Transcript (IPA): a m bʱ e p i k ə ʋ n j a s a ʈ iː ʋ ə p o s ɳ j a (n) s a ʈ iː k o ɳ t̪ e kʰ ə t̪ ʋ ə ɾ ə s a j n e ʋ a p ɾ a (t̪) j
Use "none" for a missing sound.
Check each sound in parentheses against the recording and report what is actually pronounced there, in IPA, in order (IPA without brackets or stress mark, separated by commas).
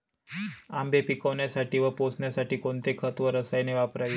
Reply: none, none